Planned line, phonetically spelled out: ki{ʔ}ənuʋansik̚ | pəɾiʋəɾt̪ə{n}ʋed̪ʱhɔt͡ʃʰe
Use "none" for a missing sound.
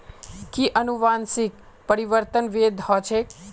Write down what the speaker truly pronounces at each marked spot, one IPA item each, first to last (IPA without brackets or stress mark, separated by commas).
ʔ, n